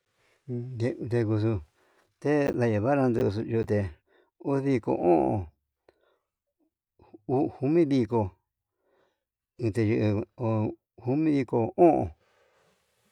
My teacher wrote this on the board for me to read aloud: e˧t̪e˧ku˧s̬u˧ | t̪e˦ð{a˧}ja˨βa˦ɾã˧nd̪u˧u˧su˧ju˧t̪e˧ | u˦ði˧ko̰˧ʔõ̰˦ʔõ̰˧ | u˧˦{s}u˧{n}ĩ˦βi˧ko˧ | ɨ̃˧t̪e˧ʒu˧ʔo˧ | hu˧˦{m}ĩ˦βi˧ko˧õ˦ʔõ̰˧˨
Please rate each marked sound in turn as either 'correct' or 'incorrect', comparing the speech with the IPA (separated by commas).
correct, incorrect, incorrect, correct